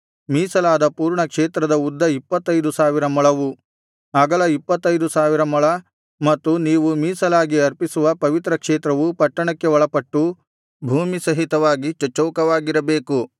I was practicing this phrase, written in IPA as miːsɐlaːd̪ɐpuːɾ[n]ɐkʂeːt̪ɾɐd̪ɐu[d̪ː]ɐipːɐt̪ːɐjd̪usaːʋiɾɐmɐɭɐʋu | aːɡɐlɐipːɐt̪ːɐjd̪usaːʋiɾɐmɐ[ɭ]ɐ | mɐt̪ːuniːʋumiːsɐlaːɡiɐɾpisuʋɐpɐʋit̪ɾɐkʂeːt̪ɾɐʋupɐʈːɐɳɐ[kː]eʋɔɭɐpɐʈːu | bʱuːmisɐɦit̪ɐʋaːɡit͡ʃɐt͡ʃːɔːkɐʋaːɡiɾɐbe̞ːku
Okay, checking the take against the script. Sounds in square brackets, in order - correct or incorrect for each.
incorrect: ɳ, correct, correct, correct

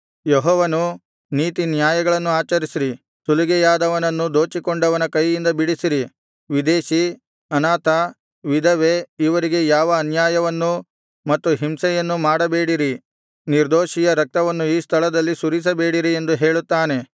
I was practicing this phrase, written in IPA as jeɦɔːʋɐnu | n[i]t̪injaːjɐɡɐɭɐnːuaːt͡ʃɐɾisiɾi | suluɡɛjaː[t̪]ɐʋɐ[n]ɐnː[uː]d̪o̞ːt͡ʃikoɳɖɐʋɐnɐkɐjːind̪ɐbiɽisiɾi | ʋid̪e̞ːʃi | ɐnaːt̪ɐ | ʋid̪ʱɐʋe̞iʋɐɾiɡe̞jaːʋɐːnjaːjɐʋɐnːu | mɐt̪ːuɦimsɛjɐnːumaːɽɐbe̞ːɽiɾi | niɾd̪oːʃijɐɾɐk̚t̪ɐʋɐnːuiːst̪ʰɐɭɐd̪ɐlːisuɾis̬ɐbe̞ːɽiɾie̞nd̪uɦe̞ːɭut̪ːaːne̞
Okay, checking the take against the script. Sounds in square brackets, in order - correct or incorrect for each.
incorrect: iː, incorrect: d̪, correct, incorrect: u

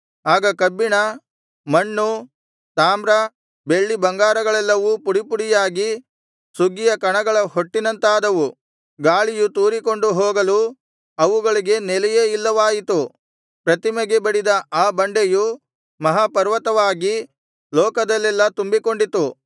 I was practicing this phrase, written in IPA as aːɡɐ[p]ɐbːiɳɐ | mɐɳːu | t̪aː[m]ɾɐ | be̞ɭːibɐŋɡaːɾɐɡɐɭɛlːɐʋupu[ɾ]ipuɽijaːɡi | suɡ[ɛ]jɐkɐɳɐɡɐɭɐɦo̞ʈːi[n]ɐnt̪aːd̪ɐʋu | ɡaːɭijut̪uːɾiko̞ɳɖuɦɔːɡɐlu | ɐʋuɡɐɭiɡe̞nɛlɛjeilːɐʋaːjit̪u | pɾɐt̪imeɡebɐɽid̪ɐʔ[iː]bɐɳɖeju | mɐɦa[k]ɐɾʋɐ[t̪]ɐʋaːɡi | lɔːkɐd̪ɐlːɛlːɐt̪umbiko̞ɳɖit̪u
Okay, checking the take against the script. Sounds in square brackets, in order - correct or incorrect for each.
incorrect: k, correct, incorrect: ɽ, incorrect: i, correct, incorrect: aː, incorrect: p, correct

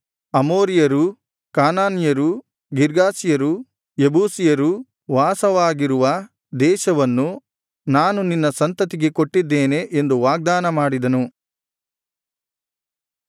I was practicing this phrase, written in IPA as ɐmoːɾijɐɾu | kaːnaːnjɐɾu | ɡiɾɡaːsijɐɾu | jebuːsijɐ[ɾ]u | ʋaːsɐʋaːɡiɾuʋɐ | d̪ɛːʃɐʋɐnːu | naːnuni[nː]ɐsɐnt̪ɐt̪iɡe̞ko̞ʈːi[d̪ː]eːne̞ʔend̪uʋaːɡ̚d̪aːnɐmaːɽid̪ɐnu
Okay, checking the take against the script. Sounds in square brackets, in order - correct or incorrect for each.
correct, correct, correct

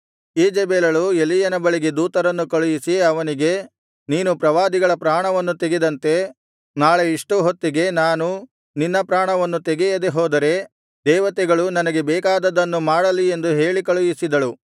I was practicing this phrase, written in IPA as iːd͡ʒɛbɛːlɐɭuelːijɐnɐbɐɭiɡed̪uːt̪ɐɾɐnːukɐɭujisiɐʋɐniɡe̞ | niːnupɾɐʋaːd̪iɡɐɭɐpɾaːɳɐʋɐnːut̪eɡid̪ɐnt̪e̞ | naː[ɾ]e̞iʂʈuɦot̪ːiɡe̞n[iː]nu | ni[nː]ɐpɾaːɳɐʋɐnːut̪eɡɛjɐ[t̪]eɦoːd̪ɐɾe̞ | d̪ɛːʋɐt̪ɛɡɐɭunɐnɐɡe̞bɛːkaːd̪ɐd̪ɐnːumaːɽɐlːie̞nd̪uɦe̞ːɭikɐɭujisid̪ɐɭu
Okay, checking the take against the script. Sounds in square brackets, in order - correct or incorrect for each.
incorrect: ɭ, incorrect: aː, correct, incorrect: d̪

